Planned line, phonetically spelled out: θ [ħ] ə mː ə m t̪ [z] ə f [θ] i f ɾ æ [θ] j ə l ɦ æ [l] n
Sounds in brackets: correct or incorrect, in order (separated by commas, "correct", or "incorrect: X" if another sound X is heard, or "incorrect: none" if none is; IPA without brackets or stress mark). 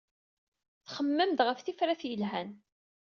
incorrect: χ, incorrect: ʁ, correct, correct, incorrect: none